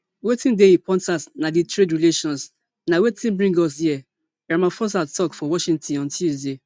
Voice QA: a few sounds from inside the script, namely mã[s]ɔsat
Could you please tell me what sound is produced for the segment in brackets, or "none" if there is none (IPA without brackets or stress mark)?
f